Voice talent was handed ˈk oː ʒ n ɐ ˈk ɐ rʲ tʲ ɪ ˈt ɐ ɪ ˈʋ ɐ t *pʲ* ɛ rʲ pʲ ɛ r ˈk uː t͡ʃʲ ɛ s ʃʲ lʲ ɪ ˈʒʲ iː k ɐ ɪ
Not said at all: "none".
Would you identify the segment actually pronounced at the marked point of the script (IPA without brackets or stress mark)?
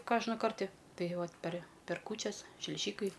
pʲ